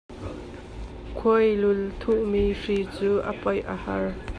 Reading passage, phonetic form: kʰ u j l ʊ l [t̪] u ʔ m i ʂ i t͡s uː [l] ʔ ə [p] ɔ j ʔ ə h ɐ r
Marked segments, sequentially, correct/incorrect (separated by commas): incorrect, incorrect, correct